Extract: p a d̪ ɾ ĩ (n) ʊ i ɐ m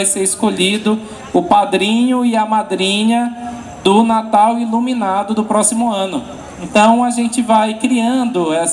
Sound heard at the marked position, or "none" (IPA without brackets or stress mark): ɲ